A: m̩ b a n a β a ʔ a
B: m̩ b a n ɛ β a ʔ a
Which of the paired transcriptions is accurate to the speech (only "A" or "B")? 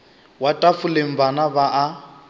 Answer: A